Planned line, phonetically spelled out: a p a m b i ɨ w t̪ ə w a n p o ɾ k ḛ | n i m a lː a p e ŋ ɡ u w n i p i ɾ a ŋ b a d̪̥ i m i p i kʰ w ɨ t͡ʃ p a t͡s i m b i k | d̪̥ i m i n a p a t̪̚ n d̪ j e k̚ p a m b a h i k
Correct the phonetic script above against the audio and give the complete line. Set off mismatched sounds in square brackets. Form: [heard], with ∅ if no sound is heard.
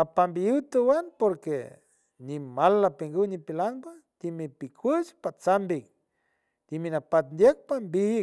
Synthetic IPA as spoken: a p a m b i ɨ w t̪ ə w a n p o ɾ k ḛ | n i m a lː a p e ŋ ɡ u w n i p i [l] a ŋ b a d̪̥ i m i p i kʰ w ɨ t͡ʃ p a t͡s [a] m b i k | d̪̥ i m i n a p a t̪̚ n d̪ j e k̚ p a m b [i] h i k